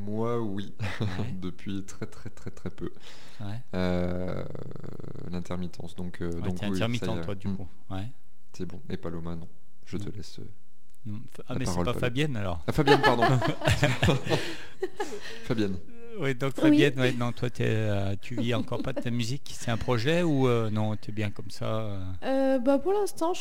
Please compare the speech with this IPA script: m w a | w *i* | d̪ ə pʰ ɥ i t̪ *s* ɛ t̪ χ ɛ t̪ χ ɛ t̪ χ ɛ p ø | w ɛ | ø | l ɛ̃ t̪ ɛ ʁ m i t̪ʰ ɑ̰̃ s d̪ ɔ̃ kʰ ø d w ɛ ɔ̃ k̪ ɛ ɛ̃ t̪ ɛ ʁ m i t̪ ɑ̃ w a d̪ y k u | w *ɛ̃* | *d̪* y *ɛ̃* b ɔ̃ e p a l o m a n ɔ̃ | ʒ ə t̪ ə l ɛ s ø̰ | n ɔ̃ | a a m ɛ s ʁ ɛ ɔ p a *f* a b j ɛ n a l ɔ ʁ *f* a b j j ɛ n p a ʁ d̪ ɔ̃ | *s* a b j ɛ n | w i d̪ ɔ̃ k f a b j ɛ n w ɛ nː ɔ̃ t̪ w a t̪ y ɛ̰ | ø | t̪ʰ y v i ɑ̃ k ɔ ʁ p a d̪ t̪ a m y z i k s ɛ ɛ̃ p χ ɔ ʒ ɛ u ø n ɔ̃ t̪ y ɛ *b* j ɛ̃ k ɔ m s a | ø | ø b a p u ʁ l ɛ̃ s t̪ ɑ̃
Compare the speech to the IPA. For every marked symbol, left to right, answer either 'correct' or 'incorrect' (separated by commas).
correct, incorrect, incorrect, incorrect, incorrect, correct, correct, incorrect, correct